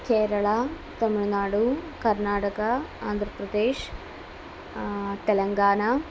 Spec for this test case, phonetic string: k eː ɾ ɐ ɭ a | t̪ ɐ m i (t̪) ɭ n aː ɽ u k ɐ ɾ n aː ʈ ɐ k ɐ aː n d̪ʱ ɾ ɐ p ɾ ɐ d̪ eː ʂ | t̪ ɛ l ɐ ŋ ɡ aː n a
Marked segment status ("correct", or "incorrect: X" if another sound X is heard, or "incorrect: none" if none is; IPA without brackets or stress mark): incorrect: none